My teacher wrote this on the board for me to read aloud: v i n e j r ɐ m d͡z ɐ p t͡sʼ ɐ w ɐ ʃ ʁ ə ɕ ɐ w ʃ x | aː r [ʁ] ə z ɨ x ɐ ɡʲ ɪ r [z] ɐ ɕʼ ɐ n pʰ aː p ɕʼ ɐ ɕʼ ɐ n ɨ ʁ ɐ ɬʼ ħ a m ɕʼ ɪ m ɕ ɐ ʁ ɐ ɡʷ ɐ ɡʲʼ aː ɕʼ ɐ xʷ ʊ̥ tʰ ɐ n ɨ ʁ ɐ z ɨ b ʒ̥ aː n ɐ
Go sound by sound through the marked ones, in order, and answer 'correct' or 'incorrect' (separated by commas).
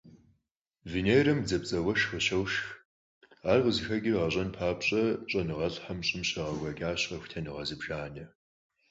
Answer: correct, incorrect